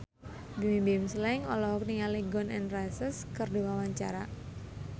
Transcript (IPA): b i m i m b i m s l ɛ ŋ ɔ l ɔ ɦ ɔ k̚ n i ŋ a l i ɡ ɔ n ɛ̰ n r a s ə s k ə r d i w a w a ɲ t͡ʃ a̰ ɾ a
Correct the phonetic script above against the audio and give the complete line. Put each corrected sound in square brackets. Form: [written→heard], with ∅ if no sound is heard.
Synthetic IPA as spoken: b i m i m b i m s l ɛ ŋ ɔ l ɔ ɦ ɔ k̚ n i ŋ a l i ɡ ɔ n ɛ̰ n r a s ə s k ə r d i w a w a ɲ t͡ʃ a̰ ɾ a